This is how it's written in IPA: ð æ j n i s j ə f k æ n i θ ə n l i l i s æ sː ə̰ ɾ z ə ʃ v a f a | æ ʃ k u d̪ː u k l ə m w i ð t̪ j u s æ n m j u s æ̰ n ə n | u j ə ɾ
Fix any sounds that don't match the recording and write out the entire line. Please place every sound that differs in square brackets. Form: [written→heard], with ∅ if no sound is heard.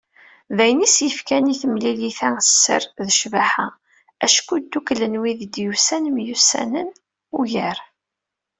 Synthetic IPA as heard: ð æ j n i s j ə f k æ n i θ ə [n→m] l i l i [s→θ] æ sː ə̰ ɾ [z→ð] ə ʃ v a [f→ħ] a | æ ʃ k u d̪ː u k l ə [m→n] w i ð [t̪→d̪] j u s æ n m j u s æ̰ n ə n | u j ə ɾ